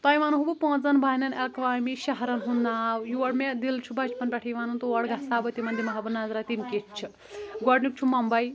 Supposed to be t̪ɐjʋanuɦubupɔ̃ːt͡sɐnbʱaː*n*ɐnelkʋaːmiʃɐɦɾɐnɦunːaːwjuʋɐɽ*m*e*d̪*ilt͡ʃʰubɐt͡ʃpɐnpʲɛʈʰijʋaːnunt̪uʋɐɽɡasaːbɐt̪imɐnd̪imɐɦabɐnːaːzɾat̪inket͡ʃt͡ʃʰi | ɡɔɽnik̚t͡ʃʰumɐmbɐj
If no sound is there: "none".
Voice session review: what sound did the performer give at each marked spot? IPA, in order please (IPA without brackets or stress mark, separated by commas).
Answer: n, m, d̪